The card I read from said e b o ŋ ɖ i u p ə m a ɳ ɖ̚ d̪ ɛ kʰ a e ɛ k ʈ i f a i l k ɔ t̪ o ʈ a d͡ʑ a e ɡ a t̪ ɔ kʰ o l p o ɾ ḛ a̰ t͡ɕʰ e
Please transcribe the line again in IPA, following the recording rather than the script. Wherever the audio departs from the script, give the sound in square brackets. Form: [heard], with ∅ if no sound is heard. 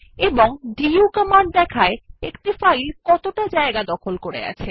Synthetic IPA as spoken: e b o ŋ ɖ i u [k] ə m a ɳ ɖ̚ d̪ ɛ kʰ a e [e] k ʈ i f a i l k ɔ t̪ o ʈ a d͡ʑ a e ɡ a [d̪] ɔ kʰ o l [k] o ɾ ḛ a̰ t͡ɕʰ e

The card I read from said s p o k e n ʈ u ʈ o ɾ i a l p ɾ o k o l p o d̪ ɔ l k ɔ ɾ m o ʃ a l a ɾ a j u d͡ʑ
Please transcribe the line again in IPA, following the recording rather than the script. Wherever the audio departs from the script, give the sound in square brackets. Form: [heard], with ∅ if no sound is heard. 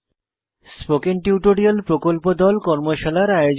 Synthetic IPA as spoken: s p o k e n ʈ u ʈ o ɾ i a l p ɾ o k o l p o d̪ ɔ l k ɔ ɾ m o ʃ a l a ɾ a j [o] d͡ʑ

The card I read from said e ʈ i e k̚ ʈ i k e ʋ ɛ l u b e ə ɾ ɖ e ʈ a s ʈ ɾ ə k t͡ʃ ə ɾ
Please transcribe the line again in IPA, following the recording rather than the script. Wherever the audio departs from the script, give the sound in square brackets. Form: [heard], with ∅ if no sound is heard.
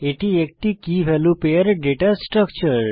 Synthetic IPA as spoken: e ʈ i e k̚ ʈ i k [i] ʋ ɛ l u [p] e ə ɾ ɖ e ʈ a s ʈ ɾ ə k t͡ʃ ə ɾ

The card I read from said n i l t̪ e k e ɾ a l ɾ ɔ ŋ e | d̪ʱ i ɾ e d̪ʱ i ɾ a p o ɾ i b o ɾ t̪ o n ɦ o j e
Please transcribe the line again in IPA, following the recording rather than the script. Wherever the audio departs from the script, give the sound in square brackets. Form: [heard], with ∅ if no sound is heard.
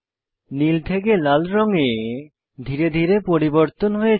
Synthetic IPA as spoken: n i l [t̪ʰ] e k e [l] a l ɾ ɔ ŋ e | d̪ʱ i ɾ e d̪ʱ i ɾ [e] p o ɾ i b o ɾ t̪ o n ɦ o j e

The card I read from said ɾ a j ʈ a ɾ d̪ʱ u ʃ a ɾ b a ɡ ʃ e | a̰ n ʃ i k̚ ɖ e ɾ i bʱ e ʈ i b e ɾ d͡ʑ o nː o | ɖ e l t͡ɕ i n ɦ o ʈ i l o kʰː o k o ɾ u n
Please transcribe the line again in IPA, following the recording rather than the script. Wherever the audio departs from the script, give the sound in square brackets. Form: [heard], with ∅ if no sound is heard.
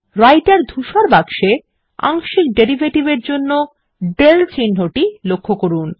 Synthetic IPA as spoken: ɾ a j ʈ a ɾ d̪ʱ u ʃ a ɾ b a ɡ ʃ e | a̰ [ŋ] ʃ i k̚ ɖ e ɾ i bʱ e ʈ i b e ɾ d͡ʑ o nː o | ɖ e l t͡ɕ i n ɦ o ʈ i l o kʰː o k o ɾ u n

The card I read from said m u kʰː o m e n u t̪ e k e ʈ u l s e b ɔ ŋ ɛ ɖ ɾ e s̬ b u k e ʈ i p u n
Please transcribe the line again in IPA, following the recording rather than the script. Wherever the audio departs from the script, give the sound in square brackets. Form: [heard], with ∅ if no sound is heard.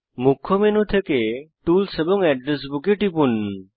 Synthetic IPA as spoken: m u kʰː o m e n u [t̪ʰ] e k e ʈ u l s e b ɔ ŋ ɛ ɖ ɾ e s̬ b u k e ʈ i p u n

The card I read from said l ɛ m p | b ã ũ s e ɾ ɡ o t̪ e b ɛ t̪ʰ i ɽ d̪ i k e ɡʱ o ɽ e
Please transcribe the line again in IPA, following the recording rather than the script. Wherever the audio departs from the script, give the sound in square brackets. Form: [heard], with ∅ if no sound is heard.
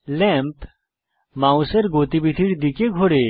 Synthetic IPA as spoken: l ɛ m p | [m] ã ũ s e ɾ ɡ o t̪ [i] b [i] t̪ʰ i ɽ d̪ i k e ɡʱ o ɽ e

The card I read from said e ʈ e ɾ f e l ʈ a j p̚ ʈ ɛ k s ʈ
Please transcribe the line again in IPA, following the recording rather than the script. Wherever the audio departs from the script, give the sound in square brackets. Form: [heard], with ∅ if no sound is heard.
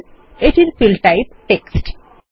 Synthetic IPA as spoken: e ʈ [i] ɾ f [i] l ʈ a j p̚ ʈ [e] k s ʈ

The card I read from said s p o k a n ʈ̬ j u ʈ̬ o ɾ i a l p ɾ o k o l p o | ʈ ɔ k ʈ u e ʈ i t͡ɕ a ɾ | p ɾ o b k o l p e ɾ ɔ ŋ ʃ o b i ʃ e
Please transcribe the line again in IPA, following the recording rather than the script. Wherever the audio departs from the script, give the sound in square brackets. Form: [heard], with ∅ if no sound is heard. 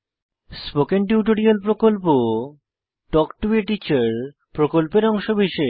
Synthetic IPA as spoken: s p o k [e] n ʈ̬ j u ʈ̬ o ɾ i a l p ɾ o k o l p o | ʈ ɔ k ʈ u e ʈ i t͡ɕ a ɾ | p ɾ o [∅] k o l p e ɾ ɔ ŋ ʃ o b i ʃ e

